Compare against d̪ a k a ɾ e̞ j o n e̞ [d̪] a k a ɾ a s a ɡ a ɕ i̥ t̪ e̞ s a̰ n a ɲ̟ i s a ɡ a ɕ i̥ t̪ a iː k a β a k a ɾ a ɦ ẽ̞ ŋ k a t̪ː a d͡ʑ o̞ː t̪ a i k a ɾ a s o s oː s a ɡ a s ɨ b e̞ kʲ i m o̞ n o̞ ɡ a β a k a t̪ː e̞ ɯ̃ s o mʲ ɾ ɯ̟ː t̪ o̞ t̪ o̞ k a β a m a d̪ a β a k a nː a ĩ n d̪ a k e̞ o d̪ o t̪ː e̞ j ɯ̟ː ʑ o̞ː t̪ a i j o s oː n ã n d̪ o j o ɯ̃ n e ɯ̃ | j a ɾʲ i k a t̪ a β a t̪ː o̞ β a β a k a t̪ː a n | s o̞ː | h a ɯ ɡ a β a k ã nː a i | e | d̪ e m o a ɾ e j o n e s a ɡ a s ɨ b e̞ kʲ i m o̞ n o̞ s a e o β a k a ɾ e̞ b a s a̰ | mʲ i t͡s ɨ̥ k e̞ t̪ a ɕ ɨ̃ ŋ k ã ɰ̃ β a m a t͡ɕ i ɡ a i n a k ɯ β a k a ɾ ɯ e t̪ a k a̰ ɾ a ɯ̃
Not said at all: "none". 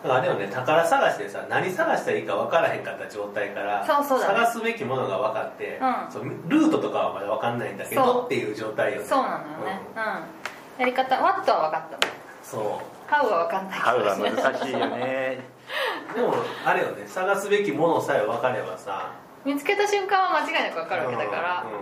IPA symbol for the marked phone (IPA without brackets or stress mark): t̪